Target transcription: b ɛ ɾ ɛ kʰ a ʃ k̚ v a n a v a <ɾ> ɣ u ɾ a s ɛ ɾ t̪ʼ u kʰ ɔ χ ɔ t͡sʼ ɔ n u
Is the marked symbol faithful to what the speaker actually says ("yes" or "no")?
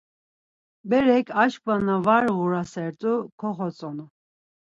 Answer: yes